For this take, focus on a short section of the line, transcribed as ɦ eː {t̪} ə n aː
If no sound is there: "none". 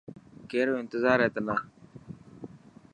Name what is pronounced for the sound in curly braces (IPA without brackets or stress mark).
t̪